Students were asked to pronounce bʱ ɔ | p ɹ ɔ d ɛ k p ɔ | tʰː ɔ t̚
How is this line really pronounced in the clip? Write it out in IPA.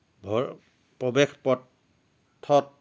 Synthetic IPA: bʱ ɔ | p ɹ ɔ b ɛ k p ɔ | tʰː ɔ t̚